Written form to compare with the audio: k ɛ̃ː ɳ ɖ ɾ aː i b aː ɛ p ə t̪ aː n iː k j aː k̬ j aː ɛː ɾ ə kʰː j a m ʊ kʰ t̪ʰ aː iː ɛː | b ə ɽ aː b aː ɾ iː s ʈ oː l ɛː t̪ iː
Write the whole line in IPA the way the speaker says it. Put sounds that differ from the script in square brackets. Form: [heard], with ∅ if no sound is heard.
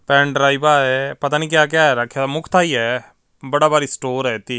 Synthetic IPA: [p] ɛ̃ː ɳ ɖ ɾ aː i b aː ɛ p ə t̪ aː n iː k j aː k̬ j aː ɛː ɾ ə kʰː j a m ʊ kʰ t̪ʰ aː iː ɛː | b ə ɽ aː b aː ɾ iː s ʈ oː [ɾ] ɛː t̪ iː

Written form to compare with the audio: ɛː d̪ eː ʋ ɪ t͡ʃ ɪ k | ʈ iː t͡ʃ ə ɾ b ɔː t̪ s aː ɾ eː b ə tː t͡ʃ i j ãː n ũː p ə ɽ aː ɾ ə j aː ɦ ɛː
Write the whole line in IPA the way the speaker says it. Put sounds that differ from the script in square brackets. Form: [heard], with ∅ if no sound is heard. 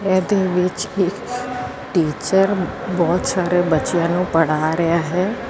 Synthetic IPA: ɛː d̪ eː ʋ ɪ t͡ʃ ɪ k | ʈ iː t͡ʃ ə ɾ b ɔː t̪ s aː ɾ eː b ə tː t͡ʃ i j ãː n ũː p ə ɽ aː ɾ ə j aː ɦ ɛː

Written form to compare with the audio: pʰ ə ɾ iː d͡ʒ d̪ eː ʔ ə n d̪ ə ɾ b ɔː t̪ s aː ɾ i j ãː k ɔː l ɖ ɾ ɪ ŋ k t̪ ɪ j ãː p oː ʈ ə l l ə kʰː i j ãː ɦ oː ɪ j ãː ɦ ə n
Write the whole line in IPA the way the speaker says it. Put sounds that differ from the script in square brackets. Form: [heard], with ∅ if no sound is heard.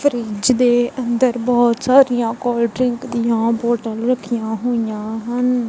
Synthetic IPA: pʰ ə ɾ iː d͡ʒ d̪ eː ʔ ə n d̪ ə ɾ b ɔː t̪ s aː ɾ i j ãː k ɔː l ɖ ɾ ɪ ŋ k [d̪] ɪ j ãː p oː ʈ ə l [ɾ] ə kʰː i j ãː ɦ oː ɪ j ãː ɦ ə n

